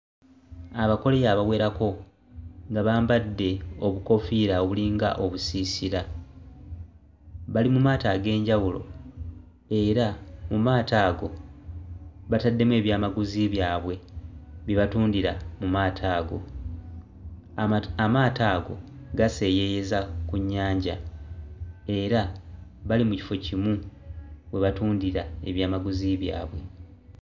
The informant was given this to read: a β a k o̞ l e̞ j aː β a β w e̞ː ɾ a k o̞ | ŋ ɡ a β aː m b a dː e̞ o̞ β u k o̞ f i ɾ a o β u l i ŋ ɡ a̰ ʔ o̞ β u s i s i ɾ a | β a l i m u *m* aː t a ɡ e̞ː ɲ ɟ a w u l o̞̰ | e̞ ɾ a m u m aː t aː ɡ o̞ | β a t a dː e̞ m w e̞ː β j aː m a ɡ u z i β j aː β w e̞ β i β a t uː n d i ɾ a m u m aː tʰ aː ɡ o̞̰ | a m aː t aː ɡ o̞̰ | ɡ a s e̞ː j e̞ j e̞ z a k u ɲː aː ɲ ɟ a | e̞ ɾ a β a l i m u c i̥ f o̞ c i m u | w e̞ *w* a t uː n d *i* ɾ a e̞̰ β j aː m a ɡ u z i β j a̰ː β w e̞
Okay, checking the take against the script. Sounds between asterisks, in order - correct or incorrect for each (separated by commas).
correct, incorrect, correct